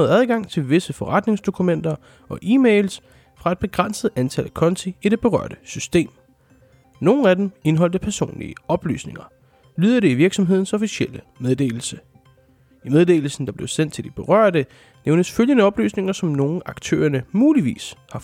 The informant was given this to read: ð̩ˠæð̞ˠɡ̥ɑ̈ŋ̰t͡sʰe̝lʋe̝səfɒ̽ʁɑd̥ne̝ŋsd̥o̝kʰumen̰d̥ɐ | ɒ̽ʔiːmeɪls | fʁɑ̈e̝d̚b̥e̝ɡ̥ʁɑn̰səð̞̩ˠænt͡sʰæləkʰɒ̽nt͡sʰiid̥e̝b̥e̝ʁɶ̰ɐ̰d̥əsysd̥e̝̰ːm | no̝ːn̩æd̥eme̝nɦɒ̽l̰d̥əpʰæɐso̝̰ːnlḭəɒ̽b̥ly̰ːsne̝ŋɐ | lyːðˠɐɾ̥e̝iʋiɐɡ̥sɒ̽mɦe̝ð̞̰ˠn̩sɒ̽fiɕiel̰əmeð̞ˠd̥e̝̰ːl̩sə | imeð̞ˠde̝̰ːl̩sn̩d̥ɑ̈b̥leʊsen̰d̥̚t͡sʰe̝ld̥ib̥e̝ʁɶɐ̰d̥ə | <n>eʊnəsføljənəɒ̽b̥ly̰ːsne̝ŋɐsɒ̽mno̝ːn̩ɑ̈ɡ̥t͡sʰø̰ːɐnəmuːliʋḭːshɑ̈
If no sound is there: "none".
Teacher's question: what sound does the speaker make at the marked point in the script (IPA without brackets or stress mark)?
n